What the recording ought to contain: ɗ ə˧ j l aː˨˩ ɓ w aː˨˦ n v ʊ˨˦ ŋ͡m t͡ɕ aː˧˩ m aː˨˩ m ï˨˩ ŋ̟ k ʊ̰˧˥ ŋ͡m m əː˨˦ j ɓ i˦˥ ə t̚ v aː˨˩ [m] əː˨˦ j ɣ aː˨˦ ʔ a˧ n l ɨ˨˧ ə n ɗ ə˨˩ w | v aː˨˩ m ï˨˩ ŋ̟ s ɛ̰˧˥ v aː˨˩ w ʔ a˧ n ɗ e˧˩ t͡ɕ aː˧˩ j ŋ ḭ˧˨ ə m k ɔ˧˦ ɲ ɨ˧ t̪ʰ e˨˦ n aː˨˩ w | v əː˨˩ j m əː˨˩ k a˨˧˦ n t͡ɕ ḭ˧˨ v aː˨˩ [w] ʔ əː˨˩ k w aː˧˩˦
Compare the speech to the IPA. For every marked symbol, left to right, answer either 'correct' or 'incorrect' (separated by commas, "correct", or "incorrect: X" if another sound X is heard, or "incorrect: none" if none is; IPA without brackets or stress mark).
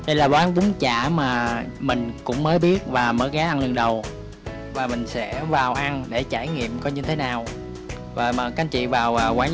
correct, correct